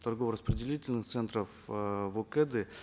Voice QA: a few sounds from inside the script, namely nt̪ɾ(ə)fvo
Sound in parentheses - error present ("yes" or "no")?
no